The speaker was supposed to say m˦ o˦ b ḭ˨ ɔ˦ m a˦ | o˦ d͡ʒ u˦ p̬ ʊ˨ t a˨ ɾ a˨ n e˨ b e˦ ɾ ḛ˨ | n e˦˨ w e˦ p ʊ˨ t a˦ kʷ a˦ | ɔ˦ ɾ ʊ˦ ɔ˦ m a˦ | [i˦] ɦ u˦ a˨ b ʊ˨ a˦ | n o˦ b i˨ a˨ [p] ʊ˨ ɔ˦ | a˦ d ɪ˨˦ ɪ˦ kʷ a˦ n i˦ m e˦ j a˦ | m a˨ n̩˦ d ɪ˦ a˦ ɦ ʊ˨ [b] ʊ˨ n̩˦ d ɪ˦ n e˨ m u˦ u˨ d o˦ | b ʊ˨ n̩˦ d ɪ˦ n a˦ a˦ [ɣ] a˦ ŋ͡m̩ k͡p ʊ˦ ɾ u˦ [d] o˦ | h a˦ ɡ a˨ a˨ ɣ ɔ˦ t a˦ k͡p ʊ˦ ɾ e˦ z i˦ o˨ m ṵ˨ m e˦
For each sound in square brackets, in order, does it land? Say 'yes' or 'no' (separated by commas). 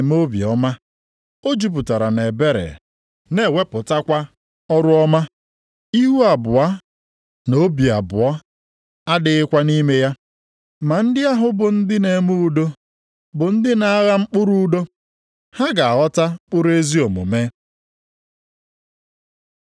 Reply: yes, no, yes, yes, yes